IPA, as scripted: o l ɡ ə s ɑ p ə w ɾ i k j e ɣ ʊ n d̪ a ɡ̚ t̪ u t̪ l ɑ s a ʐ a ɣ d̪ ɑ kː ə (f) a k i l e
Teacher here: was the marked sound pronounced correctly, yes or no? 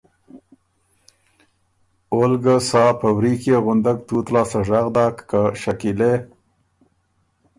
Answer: no